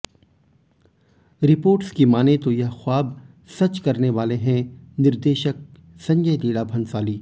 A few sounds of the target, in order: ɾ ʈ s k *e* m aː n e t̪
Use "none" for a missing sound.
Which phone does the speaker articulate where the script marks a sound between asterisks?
i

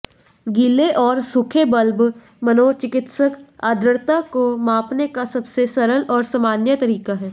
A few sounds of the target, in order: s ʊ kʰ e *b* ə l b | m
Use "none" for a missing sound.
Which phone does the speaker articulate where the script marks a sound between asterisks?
b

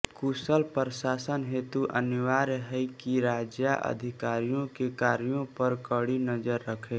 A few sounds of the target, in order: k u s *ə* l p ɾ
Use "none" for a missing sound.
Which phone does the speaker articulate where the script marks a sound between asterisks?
ə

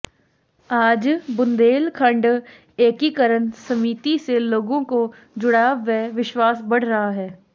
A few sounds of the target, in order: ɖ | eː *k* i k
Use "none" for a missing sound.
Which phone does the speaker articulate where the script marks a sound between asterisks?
k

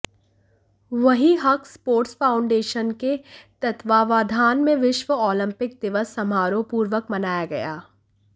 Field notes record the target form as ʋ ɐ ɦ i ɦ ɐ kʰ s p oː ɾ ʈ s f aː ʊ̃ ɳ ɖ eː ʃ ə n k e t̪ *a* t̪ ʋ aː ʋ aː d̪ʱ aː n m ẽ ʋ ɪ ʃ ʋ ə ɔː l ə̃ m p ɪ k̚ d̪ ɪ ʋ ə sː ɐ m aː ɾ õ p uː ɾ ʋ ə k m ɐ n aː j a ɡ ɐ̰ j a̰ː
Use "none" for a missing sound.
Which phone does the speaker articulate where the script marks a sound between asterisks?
ɐ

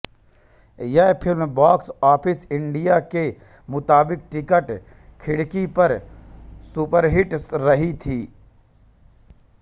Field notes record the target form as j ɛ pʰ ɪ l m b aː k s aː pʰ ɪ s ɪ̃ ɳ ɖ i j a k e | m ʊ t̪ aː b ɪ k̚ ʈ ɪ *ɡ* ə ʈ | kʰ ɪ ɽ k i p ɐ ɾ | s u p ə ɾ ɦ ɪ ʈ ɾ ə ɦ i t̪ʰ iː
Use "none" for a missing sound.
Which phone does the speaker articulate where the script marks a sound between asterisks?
k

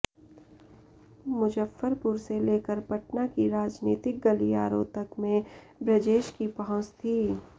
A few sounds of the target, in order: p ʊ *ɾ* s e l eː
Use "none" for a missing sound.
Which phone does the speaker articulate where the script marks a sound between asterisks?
ɾ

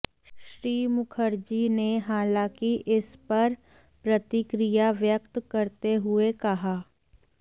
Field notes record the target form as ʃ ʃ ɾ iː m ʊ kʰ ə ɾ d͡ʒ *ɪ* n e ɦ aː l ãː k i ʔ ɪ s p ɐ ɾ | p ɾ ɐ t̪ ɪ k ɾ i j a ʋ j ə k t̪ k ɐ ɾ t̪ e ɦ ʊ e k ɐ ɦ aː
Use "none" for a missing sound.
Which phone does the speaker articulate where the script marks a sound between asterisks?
i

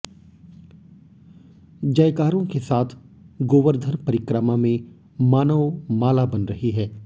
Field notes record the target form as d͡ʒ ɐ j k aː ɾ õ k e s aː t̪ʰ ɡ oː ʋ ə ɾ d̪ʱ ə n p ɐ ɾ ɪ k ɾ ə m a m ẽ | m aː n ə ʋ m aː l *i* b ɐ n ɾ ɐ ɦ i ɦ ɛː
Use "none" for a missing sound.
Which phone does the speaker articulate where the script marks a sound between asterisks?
a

